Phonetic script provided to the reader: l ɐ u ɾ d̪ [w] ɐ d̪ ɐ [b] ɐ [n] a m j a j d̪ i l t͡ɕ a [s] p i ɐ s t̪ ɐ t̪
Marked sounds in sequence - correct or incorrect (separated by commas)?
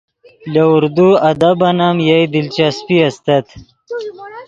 incorrect, correct, correct, correct